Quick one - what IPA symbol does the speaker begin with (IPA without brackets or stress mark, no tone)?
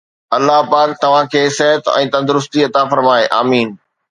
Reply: ɐ